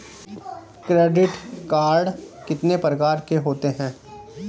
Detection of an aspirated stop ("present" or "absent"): absent